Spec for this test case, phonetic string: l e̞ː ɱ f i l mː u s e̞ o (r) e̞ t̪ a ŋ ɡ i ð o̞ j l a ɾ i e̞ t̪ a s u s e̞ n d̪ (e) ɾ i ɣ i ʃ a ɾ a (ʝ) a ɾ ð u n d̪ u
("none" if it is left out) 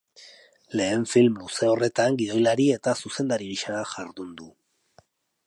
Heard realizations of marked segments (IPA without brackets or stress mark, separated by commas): r, a, ʝ